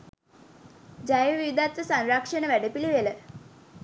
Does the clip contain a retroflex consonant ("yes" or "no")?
yes